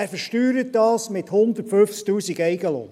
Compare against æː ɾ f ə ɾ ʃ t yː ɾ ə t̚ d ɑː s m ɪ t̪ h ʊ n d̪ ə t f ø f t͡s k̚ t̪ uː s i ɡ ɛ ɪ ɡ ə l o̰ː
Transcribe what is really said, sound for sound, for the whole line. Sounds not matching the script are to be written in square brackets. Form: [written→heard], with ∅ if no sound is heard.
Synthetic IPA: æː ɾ f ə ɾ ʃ t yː ɾ ə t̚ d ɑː s m ɪ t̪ h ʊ n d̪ ə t f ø f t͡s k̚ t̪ uː s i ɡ ɛ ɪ ɡ ə l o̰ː